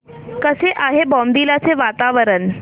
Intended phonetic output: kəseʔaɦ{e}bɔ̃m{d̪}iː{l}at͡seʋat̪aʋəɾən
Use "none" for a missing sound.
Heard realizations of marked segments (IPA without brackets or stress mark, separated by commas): e, d̪, l